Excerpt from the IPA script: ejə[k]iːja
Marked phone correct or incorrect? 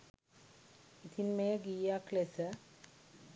incorrect